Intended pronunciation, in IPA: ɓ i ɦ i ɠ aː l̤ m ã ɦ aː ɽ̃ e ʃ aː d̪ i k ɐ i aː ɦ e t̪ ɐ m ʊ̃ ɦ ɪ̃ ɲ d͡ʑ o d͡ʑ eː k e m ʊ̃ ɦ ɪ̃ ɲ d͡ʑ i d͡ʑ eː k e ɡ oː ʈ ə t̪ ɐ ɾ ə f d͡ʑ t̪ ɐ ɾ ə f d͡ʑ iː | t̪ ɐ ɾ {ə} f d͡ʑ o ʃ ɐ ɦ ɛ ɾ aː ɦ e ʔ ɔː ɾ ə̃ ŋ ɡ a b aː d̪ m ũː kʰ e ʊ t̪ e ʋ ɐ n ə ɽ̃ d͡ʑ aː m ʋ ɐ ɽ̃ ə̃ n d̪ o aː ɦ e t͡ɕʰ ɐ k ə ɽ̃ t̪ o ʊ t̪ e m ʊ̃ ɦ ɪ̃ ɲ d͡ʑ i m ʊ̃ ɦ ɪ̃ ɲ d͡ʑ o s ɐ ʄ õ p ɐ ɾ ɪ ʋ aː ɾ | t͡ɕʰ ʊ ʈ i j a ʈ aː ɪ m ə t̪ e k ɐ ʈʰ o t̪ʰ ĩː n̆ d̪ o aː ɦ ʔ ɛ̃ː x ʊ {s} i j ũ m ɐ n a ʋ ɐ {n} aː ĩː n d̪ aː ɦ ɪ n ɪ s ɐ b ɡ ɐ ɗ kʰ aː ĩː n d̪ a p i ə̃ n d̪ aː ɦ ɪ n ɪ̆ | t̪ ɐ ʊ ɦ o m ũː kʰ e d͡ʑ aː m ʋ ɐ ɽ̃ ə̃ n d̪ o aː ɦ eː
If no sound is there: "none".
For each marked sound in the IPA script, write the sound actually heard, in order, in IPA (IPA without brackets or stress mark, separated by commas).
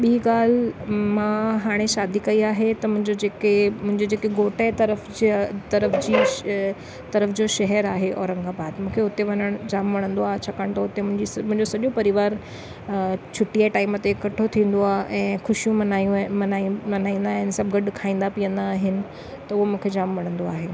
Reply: ə, ʃ, n